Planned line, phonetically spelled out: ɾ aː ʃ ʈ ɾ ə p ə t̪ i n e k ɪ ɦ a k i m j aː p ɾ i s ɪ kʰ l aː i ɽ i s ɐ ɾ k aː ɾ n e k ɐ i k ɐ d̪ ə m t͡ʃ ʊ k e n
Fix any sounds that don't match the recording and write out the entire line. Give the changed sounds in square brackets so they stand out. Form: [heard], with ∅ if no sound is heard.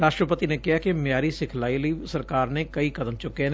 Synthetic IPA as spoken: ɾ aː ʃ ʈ ɾ ə p ə t̪ i n e k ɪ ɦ a k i m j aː [∅] ɾ i s ɪ kʰ l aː i [l] i s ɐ ɾ k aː ɾ n e k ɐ i k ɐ d̪ ə m t͡ʃ ʊ k e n